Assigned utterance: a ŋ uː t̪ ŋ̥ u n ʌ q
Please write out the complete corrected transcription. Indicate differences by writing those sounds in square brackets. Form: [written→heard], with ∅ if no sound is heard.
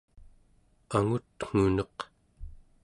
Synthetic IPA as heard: a ŋ [uː→u] t̪ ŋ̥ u n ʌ q